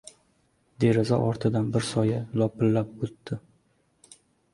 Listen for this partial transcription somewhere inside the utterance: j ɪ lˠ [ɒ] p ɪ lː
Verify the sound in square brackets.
correct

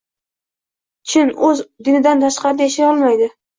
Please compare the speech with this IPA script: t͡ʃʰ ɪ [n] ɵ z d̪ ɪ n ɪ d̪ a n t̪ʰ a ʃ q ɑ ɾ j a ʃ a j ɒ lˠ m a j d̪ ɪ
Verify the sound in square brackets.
correct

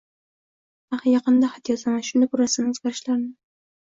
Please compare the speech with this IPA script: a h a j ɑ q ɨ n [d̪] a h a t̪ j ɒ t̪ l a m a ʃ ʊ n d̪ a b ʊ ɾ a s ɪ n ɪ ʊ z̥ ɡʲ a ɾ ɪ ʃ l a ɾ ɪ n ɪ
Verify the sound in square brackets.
correct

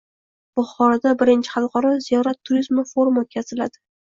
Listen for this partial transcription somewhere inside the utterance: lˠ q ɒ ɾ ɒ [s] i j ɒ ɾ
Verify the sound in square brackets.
incorrect: z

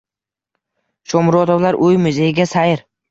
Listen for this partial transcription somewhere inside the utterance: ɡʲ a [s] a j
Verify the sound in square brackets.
correct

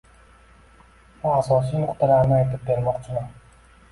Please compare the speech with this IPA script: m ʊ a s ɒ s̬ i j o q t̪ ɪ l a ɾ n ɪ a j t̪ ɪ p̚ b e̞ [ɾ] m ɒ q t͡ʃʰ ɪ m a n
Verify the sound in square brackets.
correct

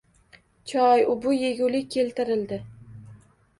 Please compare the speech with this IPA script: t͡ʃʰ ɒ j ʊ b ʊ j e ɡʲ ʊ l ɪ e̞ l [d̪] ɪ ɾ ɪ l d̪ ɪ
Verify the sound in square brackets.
incorrect: t̪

